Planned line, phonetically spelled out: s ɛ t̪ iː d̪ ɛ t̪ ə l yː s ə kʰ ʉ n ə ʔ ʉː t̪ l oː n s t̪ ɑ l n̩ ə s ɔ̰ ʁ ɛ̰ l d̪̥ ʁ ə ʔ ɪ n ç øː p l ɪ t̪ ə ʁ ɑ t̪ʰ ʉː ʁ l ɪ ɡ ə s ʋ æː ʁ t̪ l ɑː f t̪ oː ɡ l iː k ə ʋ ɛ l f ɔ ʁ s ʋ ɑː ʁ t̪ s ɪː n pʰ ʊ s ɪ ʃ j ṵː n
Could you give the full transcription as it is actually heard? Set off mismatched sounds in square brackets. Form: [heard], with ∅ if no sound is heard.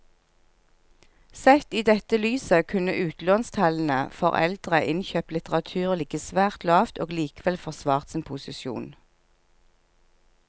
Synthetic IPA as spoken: s ɛ t̪ iː d̪ ɛ t̪ ə l yː s ə kʰ ʉ n ə ʔ ʉː t̪ l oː n s [t̪ʰ] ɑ l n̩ ə [f] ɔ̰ ʁ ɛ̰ l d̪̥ ʁ ə ʔ ɪ n ç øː p l ɪ t̪ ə ʁ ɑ t̪ʰ ʉː ʁ l ɪ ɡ ə s ʋ æː ʁ t̪ l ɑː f t̪ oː ɡ l iː k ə ʋ ɛ l f ɔ ʁ s ʋ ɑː ʁ t̪ s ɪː n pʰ ʊ s ɪ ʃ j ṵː n

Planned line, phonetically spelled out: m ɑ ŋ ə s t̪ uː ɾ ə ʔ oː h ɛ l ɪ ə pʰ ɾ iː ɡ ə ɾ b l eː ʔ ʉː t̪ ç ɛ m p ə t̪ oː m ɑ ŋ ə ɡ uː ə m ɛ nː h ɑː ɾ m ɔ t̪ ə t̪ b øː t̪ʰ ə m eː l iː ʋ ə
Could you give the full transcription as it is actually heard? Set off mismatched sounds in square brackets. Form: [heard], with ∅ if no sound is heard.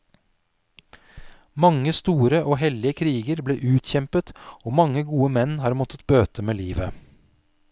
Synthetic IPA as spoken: m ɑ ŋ ə s t̪ uː ɾ ə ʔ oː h ɛ l ɪ ə [kʰ] ɾ iː ɡ ə ɾ b l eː ʔ ʉː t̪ ç ɛ m p ə t̪ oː m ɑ ŋ ə ɡ uː ə m ɛ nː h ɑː ɾ m ɔ t̪ ə t̪ b øː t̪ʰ ə m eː l iː ʋ ə

